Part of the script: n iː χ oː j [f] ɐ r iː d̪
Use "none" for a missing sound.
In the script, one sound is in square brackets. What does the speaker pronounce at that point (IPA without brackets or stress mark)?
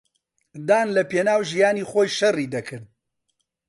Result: ʃ